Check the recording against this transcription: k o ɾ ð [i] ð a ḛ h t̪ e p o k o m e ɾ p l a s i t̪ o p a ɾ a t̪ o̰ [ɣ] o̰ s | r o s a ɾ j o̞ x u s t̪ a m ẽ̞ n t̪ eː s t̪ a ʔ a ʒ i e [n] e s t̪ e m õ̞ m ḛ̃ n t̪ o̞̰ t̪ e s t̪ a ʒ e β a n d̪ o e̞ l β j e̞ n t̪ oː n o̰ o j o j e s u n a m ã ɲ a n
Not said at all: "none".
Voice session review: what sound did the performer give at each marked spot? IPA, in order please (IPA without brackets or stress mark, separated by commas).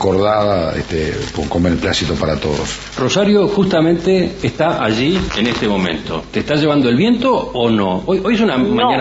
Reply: a, ð, n